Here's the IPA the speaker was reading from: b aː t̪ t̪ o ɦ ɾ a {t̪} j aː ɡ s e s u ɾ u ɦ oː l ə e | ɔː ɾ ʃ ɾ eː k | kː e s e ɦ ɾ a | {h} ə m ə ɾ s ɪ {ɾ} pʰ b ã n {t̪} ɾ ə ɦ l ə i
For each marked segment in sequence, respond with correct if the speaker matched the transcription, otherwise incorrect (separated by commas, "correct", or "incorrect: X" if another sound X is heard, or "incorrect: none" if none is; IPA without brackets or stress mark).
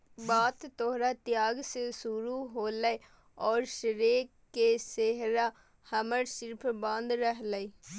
correct, correct, correct, incorrect: d̪